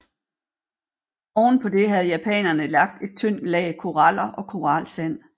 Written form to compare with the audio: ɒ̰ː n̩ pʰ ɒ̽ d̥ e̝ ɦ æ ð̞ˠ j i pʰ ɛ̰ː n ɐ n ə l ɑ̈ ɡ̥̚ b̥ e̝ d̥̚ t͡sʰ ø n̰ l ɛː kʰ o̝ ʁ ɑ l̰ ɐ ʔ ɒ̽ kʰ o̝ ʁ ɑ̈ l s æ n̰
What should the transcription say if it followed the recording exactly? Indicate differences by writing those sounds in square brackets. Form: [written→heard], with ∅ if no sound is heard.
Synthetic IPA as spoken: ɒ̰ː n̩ pʰ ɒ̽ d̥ e̝ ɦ æ ð̞ˠ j [i→æ] pʰ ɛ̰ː n ɐ n ə l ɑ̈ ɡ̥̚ [b̥→d̥] e̝ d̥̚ t͡sʰ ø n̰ l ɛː kʰ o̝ ʁ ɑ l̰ ɐ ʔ ɒ̽ kʰ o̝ ʁ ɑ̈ l s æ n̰